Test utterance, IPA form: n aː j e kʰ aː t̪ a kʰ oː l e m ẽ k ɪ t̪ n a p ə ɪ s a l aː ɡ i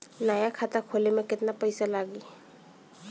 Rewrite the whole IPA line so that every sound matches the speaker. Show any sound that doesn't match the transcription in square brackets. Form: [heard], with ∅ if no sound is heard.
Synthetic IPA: n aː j [a] kʰ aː t̪ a kʰ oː l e m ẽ k ɪ t̪ n a p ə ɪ s a l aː ɡ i